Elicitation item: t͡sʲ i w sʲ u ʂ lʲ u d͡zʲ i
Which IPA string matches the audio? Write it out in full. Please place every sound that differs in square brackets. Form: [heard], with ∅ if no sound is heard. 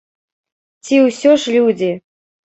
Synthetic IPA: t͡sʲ i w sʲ [ɔ] ʂ lʲ u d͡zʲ i